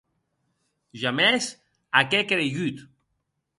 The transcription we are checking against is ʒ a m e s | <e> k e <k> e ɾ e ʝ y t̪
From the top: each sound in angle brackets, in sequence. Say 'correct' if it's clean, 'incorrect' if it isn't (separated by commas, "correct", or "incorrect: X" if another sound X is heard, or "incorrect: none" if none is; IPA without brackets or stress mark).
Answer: incorrect: a, correct